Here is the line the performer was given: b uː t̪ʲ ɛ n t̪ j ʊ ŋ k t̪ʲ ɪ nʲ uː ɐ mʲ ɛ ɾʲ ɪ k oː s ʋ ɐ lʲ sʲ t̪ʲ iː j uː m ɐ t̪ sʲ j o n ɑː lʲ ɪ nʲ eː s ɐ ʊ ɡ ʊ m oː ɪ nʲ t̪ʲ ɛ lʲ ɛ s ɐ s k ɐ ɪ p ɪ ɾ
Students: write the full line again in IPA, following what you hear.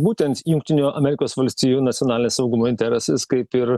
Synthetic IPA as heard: b uː t̪ʲ ɛ n t̪ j ʊ ŋ k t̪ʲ ɪ nʲ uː ɐ mʲ ɛ ɾʲ ɪ k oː s ʋ ɐ lʲ sʲ t̪ʲ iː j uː n ɐ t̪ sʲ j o n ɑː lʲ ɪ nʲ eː s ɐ ʊ ɡ ʊ m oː ɪ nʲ t̪ʲ ɛ ɾʲ ɛ s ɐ s k ɐ ɪ p ɪ ɾ

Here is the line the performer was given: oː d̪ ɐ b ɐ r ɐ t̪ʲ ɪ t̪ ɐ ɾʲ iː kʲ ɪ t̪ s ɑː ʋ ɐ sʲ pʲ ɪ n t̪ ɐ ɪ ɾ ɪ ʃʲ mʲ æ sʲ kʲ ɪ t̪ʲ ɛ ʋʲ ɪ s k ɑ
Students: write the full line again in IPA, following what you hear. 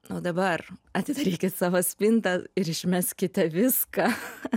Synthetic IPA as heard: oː d̪ ɐ b ɐ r ɐ t̪ʲ ɪ d̪ ɐ ɾʲ iː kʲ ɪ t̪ s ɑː ʋ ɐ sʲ pʲ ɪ n t̪ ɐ ɪ ɾ ɪ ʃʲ mʲ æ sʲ kʲ ɪ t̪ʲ ɛ ʋʲ ɪ s k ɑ

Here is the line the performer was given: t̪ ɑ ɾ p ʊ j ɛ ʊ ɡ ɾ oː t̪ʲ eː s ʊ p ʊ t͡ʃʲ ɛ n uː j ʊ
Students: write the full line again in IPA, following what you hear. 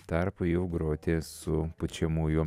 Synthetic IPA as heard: t̪ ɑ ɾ p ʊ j ɛ ʊ ɡ ɾ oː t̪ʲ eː s ʊ p ʊ t͡ʃʲ ɛ m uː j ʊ

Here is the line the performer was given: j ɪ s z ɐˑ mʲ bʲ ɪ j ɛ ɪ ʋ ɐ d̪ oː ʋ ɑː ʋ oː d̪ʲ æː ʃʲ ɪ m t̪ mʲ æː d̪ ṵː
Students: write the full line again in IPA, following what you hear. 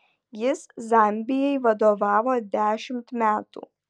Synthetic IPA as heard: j ɪ s z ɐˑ mʲ bʲ ɪ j ɛ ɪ ʋ ɐ d̪ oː ʋ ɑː ʋ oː d̪ʲ æː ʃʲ ɪ m t̪ mʲ æː t̪ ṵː

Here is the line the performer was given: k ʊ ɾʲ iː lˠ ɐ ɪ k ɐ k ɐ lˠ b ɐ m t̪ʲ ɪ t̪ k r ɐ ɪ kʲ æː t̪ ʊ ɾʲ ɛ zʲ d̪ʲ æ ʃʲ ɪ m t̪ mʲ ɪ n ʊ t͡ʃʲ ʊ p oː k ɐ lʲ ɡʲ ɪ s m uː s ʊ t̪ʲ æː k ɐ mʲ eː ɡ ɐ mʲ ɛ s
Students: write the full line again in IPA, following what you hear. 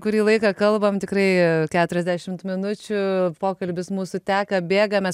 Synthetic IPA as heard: k ʊ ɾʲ iː lˠ ɐ ɪ k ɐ k ɐ lˠ b ɐ m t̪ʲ ɪ k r ɐ ɪ kʲ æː t̪ ʊ ɾʲ ɛ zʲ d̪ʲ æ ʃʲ ɪ m t̪ mʲ ɪ n ʊ t͡ʃʲ ʊ p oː k ɐ lʲ bʲ ɪ s m uː s ʊ t̪ʲ æː k ɐ bʲ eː ɡ ɐ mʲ ɛ s

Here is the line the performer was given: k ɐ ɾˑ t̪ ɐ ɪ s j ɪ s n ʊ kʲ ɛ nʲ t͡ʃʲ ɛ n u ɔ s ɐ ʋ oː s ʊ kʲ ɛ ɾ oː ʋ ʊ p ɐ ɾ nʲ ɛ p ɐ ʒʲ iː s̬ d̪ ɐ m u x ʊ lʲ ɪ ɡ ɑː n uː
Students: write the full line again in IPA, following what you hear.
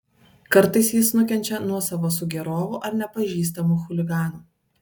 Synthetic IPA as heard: k ɐ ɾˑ t̪ ɐ ɪ s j ɪ s n ʊ kʲ ɛ nʲ t͡ʃʲ ɛ n u ɔ s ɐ ʋ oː s ʊ ɡʲ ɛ ɾ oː ʋ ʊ ʔ ɐ ɾ nʲ ɛ p ɐ ʒʲ iː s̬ t̪ ɐ m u x ʊ lʲ ɪ ɡ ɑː n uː

